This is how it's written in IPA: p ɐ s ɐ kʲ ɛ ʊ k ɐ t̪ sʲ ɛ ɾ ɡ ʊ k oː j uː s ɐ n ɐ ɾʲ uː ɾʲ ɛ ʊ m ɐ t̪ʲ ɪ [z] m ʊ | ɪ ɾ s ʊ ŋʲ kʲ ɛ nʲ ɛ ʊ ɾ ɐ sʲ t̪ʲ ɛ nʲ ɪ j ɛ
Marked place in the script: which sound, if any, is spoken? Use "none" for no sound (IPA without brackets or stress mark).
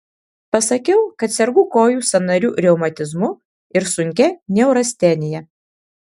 z